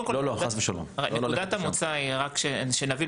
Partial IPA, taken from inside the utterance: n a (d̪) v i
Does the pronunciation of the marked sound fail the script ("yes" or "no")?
yes